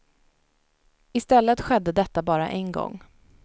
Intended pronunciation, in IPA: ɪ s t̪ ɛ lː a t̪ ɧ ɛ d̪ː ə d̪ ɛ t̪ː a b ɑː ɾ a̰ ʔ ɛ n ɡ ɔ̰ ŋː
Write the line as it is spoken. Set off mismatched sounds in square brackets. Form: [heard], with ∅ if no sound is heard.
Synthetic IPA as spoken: ɪ s t̪ ɛ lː [ə] t̪ ɧ ɛ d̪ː ə d̪ ɛ t̪ː a b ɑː ɾ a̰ ʔ ɛ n ɡ ɔ̰ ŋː